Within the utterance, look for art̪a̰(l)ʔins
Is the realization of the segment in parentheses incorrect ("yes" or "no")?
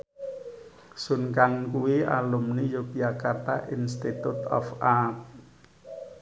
yes